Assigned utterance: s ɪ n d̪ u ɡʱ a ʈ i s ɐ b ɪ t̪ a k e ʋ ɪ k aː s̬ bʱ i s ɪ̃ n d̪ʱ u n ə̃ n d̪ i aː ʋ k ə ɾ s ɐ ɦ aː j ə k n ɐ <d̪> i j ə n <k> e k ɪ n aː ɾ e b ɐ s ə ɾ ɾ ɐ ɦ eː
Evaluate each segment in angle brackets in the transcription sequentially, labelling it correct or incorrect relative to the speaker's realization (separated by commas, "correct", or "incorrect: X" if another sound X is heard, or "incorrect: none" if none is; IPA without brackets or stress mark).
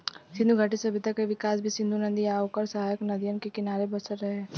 correct, correct